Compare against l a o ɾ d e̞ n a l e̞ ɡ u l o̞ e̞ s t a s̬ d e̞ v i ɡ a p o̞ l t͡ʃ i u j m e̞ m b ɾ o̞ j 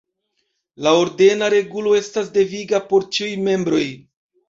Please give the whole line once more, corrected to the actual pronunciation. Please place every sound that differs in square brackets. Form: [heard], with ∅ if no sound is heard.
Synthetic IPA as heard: l a o ɾ d e̞ n a [ɾ] e̞ ɡ u l o̞ e̞ s t a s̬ d e̞ v i ɡ a p o̞ [ɾ] t͡ʃ i u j m e̞ m b ɾ o̞ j

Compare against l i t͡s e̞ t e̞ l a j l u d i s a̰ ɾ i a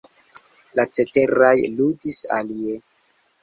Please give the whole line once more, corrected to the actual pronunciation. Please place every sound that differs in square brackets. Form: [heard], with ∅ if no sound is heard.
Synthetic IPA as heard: l [a] t͡s e̞ t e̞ [ɾ] a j l u d i s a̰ [l] i [e]

